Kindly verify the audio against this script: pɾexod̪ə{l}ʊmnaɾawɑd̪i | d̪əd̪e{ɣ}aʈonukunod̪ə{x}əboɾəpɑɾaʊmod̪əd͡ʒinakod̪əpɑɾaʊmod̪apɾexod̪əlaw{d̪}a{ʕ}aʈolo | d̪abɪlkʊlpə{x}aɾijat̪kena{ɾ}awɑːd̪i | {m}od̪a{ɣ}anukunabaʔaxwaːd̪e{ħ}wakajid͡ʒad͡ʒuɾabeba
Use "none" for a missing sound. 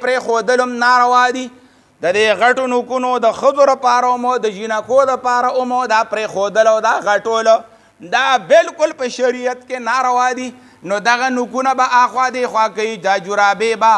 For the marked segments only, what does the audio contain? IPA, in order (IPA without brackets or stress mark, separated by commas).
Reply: l, ɣ, x, d̪, ɣ, ʃ, ɾ, n, ɣ, x